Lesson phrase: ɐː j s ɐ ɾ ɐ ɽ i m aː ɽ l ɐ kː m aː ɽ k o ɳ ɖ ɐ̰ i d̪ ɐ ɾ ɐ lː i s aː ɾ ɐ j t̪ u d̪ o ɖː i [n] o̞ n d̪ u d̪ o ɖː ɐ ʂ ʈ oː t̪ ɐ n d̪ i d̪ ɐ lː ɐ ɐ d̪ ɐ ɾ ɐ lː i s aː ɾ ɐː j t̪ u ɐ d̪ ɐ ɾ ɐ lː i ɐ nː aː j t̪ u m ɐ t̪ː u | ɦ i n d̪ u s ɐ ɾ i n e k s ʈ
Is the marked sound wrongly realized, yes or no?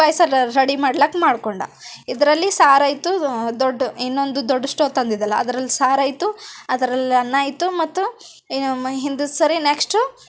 yes